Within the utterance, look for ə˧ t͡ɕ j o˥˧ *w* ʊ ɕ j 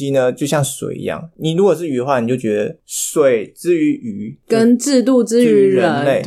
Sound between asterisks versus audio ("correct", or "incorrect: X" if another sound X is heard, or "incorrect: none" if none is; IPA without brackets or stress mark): incorrect: none